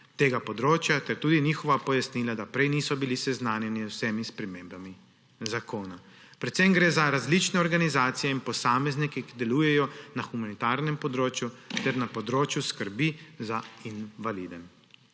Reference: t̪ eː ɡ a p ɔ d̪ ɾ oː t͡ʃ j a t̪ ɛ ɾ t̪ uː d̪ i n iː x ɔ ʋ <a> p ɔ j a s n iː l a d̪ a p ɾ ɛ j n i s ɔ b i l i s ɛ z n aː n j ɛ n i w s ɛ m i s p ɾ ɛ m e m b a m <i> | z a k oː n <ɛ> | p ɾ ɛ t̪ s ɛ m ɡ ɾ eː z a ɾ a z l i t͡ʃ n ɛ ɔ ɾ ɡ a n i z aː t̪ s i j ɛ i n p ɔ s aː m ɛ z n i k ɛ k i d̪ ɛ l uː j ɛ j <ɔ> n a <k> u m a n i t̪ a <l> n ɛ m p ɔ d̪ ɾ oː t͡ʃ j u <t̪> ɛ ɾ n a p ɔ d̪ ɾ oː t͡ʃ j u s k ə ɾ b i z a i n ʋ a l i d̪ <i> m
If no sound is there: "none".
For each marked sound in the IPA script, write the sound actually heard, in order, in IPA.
a, i, a, ɔ, x, ɾ, t̪, ɛ

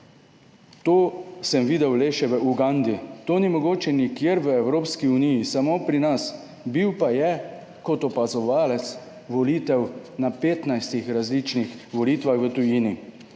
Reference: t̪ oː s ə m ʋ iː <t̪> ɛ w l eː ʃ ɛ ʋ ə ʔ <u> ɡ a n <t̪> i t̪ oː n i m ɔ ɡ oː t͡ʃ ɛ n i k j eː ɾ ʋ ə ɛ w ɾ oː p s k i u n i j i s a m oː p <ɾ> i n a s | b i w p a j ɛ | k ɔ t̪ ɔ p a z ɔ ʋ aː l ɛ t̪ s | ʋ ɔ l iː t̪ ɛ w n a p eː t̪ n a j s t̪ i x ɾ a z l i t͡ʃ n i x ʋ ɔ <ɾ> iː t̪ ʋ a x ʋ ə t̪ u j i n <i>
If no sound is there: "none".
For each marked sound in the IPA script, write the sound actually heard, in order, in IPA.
d̪, u, d̪, ɾ, l, i

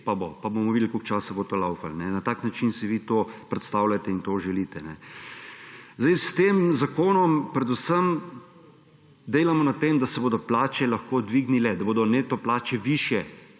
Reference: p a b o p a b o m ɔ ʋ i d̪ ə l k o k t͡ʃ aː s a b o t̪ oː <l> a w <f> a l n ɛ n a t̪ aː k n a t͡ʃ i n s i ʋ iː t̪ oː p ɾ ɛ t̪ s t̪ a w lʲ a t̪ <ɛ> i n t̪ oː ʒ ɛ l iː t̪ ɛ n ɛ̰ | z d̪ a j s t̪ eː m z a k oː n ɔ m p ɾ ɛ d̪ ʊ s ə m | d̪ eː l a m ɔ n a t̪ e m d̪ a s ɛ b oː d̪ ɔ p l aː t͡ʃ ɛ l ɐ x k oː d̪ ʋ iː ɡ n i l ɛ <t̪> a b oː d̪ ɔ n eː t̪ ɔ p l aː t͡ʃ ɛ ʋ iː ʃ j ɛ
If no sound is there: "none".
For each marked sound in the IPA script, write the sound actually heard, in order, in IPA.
l, f, ɛ, d̪

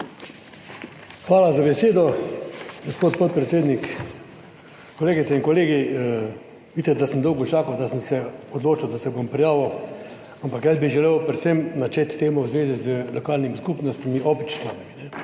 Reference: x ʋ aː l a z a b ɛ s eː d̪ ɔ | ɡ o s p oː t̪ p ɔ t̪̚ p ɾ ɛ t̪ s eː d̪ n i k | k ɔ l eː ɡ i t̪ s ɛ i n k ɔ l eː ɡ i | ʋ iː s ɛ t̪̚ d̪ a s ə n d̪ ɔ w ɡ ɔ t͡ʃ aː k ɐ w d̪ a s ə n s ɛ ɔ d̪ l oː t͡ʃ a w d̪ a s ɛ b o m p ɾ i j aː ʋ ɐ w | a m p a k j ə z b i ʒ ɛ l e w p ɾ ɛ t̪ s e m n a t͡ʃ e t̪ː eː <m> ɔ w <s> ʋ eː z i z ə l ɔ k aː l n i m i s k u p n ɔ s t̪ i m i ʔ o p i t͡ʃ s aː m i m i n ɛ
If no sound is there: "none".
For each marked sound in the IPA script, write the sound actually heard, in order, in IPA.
m, z

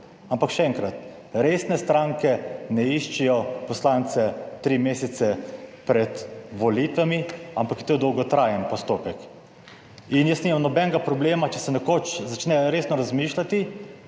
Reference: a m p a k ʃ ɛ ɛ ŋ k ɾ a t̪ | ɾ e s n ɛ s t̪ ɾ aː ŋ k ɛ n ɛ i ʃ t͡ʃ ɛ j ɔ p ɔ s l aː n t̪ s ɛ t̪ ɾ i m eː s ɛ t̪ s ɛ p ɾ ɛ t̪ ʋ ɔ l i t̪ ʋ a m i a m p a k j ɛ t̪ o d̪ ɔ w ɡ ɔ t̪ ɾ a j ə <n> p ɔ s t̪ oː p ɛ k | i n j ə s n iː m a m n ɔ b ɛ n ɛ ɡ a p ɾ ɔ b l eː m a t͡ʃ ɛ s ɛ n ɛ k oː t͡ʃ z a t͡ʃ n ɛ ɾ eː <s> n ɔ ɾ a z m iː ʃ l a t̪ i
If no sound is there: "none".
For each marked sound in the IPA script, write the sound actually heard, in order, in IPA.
n, s

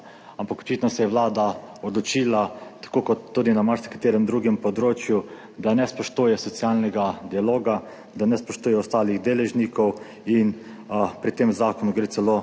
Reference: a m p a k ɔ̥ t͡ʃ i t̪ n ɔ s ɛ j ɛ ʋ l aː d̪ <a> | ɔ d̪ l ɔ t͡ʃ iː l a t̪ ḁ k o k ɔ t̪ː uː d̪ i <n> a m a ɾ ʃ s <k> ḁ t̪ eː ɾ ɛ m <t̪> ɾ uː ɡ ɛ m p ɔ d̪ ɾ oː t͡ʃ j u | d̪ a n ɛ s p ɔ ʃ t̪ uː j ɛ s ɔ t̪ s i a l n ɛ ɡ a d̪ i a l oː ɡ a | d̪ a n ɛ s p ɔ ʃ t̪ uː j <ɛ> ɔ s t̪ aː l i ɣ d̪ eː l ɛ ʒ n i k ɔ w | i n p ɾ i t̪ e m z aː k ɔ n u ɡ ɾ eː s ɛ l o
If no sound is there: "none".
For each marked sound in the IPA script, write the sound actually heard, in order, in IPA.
a, n, k, d̪, ɛ

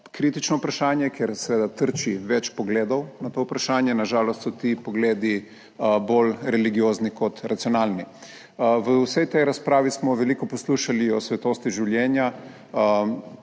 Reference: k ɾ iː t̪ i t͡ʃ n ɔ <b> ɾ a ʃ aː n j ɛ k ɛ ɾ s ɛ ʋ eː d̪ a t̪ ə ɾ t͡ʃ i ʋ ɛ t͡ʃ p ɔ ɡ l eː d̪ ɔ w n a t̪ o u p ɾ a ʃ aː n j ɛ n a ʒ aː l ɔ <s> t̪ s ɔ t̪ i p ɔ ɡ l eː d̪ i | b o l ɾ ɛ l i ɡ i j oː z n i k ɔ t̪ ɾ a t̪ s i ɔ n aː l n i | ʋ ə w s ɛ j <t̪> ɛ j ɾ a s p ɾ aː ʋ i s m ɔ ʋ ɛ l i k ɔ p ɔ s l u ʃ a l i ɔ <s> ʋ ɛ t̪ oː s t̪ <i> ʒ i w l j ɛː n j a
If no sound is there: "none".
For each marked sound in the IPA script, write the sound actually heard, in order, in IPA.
p, s, t̪, s, i

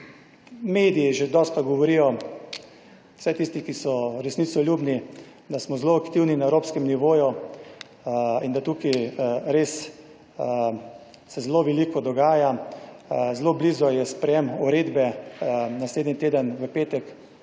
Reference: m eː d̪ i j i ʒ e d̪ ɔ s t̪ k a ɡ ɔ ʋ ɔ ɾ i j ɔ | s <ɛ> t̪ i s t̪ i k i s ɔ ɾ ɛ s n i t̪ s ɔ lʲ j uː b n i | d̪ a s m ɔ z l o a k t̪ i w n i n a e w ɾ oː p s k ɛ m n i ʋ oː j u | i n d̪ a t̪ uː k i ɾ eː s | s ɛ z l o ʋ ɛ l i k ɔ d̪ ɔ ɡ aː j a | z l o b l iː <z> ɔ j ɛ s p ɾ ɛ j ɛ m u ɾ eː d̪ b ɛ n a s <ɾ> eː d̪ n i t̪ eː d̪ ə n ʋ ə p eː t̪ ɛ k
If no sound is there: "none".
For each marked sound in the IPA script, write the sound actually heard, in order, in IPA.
ɛ, z, l

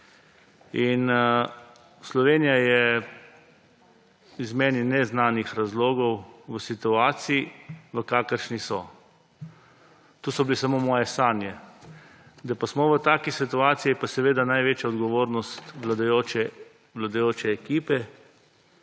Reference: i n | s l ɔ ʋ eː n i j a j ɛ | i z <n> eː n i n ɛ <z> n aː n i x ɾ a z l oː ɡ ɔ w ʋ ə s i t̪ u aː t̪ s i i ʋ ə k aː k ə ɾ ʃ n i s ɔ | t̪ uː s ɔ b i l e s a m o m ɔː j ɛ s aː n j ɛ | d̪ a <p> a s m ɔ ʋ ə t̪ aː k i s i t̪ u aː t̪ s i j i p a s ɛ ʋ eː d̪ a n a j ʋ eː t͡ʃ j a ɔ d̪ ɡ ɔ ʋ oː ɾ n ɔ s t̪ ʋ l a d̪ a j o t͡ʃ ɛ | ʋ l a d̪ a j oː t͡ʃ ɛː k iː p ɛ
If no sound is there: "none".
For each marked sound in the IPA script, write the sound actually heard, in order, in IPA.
m, z, p

